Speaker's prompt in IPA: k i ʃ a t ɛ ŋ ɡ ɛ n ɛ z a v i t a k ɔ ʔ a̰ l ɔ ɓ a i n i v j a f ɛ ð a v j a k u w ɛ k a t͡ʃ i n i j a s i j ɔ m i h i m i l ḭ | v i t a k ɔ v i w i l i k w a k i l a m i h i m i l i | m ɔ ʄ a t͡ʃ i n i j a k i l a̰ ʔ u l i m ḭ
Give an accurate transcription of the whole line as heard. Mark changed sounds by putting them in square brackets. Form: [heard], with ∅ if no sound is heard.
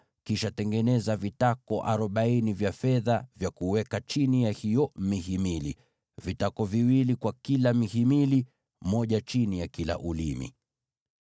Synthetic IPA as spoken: k i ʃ a t ɛ ŋ ɡ ɛ n ɛ z a v i t a k ɔ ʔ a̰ [ɾ] ɔ ɓ a i n i v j a f ɛ ð a v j a k u w ɛ k a t͡ʃ i n i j a [h] i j ɔ m i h i m i l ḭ | v i t a k ɔ v i w i l i k w a k i l a m i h i m i l i | m ɔ ʄ a t͡ʃ i n i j a k i l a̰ ʔ u l i m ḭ

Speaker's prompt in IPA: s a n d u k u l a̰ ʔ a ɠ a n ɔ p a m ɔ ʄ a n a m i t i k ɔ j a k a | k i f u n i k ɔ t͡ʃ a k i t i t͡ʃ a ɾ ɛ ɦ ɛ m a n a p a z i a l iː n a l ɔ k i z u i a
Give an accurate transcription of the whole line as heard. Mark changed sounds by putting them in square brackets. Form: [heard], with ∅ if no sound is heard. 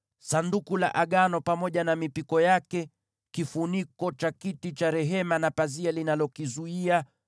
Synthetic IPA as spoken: s a n d u k u l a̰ ʔ a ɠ a n ɔ p a m ɔ ʄ a n a m i [p] i k ɔ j a k [ɛ] | k i f u n i k ɔ t͡ʃ a k i t i t͡ʃ a ɾ ɛ ɦ ɛ m a n a p a z i a l [i] n a l ɔ k i z u i a

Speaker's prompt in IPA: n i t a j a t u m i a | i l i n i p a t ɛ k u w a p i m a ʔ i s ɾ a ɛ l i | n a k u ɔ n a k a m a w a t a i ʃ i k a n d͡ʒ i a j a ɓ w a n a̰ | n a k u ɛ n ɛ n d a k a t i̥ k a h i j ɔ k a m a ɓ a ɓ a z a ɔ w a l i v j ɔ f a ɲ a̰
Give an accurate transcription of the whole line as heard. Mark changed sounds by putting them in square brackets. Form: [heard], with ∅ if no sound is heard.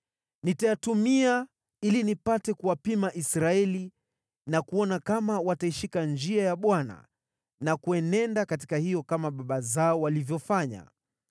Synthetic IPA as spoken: n i t a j a t u m i a | i l i n i p a t ɛ k u w a p i m a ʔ i s ɾ a ɛ l i | n a k u ɔ n a k a m a w a t a i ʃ i k a n d͡ʒ i a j a ɓ w a n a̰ | n a k u ɛ n ɛ n d a k a t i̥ k a h i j ɔ k a m a ɓ a ɓ a z a ɔ w a l i v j ɔ f a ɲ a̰

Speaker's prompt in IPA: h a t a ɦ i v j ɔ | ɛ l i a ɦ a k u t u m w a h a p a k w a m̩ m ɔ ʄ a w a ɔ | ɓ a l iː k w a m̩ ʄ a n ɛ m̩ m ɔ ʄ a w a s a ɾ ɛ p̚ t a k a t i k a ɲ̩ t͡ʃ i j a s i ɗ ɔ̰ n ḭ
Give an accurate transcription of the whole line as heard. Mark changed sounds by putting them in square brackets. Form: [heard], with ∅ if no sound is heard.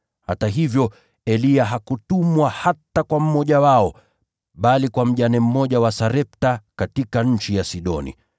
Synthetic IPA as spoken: h a t a ɦ i v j ɔ | ɛ l i a ɦ a k u t u m w a h a [t] a k w a m̩ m ɔ ʄ a w a ɔ | ɓ a l [i] k w a m̩ ʄ a n ɛ m̩ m ɔ ʄ a w a s a ɾ ɛ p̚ t a k a t i k a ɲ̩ t͡ʃ i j a s i ɗ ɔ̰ n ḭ

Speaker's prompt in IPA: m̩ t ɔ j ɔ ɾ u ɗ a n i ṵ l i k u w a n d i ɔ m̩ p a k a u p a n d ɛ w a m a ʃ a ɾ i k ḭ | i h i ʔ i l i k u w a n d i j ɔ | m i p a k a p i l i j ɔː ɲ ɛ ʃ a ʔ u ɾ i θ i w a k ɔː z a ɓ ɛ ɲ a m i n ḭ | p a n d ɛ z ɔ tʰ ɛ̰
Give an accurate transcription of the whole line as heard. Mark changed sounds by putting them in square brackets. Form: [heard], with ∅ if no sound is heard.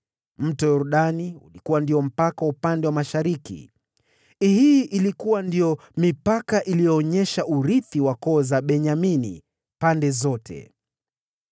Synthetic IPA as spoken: m̩ t ɔ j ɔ ɾ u ɗ a n i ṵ l i k u w a n d i ɔ m̩ p a k a u p a n d ɛ w a m a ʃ a ɾ i k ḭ | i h i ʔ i l i k u w a n d i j ɔ | m i p a k a [ʔ] i l i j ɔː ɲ ɛ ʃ a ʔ u ɾ i θ i w a k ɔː z a ɓ ɛ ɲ a m i n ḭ | p a n d ɛ z ɔ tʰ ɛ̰

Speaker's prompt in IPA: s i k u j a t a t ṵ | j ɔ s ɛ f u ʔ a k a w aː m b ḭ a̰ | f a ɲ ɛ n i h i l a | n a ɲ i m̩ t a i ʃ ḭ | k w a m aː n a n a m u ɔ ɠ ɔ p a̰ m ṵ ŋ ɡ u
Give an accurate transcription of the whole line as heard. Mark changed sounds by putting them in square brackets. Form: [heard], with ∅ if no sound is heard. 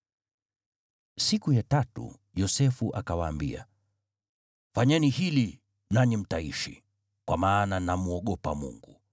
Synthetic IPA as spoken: s i k u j a t a t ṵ | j ɔ s ɛ f u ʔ a k a w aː m b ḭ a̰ | f a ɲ ɛ n i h i l [i] | n a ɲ i m̩ t a i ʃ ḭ | k w a m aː n a n a m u ɔ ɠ ɔ p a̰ m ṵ ŋ ɡ u

